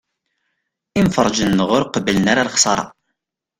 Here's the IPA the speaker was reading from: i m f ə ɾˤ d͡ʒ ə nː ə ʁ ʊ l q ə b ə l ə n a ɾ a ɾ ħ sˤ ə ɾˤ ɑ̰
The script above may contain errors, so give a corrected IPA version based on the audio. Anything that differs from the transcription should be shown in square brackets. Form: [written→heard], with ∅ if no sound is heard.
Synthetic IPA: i m f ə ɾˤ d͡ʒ ə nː ə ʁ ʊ [l→ɾ] q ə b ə l ə n a ɾ a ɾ [ħ→χ] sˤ [ə→ɑ] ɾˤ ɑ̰